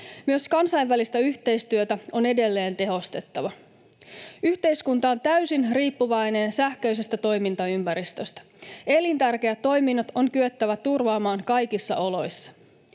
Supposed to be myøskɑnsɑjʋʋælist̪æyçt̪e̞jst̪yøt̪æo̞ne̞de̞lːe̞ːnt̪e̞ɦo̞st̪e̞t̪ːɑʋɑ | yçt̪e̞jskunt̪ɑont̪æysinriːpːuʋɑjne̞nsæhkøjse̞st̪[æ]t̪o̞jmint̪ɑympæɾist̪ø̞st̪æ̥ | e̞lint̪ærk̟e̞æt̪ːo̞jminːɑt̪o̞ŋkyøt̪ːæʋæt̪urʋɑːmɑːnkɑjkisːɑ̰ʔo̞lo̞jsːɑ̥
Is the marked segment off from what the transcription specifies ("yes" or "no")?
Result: no